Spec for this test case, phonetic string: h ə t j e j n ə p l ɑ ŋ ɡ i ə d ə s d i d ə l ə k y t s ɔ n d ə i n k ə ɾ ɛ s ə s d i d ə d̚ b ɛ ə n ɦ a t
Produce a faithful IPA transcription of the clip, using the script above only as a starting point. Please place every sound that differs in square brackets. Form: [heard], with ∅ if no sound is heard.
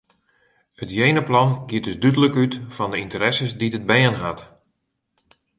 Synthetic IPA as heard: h ə t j e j n ə p l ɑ [n] ɡ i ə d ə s d [y] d ə l ə k y t [f] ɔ n d ə i n [t] ə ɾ ɛ s ə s d i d ə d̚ b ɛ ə n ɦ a t